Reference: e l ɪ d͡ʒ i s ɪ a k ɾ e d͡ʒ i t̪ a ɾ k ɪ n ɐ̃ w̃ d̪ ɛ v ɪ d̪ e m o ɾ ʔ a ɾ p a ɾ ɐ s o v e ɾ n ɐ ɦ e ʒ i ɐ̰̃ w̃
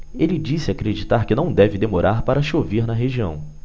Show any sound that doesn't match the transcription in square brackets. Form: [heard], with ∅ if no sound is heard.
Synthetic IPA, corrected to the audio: e l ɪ d͡ʒ i s ɪ a k ɾ e d͡ʒ i t̪ a ɾ k ɪ n ɐ̃ w̃ d̪ ɛ v ɪ d̪ e m o ɾ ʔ a ɾ p a ɾ ɐ [ʃ] o v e ɾ n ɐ ɦ e ʒ i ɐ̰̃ w̃